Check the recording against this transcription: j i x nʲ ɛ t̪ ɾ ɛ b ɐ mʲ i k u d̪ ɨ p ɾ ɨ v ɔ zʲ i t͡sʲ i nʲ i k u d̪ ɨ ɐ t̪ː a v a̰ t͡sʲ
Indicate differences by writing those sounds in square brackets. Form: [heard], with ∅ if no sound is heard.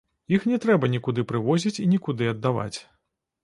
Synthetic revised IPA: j i x nʲ ɛ t̪ ɾ ɛ b ɐ [nʲ] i k u d̪ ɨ p ɾ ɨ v ɔ zʲ i t͡sʲ i nʲ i k u d̪ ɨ ɐ [d̪ː] a v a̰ t͡sʲ